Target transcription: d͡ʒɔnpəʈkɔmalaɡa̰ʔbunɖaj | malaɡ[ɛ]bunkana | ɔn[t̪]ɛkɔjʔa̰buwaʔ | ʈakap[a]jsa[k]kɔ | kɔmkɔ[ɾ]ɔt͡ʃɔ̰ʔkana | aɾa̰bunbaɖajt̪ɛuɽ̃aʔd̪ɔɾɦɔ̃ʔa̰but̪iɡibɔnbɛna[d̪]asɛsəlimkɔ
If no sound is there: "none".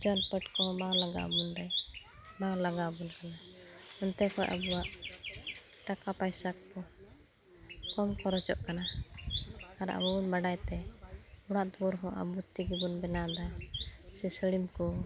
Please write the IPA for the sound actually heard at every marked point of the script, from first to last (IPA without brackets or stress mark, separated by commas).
a, t̪, a, k, ɾ, d̪